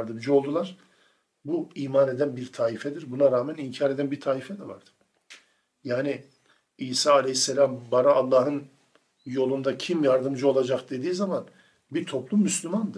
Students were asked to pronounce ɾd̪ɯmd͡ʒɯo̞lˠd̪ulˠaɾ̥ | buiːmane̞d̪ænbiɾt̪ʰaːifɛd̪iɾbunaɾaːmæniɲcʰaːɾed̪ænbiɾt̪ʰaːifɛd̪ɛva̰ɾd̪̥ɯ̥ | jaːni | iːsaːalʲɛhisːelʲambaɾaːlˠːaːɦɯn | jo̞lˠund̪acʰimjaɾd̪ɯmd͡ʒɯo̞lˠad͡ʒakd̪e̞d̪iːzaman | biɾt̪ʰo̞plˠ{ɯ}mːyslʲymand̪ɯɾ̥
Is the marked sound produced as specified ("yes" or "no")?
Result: no